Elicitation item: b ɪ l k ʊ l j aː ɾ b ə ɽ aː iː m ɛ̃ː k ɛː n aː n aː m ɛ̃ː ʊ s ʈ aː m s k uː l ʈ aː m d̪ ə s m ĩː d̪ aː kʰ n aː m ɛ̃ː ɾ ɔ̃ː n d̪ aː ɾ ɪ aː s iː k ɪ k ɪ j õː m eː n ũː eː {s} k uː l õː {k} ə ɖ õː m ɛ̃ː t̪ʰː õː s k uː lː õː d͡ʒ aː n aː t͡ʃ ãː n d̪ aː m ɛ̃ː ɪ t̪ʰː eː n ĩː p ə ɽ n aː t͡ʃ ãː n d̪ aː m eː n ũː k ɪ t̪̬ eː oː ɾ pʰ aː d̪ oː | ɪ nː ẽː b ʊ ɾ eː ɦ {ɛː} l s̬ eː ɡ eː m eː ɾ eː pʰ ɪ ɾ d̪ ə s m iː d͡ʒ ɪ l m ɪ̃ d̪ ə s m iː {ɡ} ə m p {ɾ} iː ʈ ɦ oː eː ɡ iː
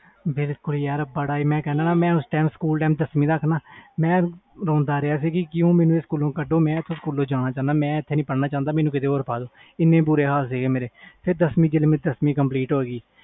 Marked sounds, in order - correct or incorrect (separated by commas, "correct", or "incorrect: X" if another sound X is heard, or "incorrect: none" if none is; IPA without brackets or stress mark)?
correct, correct, incorrect: aː, incorrect: k, incorrect: l